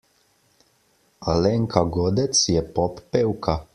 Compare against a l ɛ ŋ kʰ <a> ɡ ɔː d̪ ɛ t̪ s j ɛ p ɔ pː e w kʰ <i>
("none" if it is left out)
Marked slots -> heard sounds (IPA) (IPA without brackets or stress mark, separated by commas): a, a